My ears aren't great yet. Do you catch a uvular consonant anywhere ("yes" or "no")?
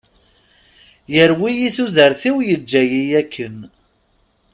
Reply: no